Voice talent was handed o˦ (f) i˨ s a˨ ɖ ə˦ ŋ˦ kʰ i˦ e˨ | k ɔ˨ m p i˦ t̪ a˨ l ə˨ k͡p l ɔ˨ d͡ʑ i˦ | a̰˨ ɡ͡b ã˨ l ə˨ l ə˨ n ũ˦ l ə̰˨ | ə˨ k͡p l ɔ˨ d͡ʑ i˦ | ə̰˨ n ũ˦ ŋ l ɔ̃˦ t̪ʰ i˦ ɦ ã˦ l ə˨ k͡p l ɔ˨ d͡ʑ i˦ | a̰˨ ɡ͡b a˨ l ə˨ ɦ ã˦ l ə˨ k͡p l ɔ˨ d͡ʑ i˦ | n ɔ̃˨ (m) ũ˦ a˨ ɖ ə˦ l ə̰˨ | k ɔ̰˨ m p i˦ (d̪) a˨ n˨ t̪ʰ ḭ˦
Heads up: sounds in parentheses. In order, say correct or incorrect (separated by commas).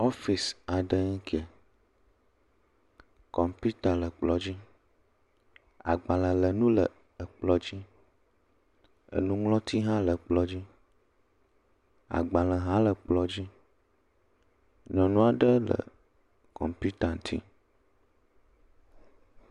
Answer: correct, incorrect, incorrect